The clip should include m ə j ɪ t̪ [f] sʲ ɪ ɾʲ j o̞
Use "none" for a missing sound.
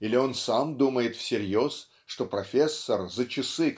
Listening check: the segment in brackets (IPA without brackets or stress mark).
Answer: f